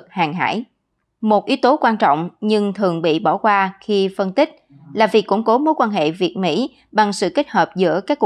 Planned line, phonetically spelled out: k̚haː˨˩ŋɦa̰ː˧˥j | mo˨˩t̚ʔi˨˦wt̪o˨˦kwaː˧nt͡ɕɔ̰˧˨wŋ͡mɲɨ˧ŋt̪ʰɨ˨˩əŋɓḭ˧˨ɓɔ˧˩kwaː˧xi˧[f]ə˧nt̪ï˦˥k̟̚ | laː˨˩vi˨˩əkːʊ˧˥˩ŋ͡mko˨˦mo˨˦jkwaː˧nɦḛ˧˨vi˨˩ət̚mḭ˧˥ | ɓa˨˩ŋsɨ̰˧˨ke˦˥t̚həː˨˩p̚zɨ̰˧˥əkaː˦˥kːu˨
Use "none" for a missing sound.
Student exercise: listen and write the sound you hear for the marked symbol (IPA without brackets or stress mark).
f